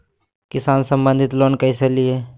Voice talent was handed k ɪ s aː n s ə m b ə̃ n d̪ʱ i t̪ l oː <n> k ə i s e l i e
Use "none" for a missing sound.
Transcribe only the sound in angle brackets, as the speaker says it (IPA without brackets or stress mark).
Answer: n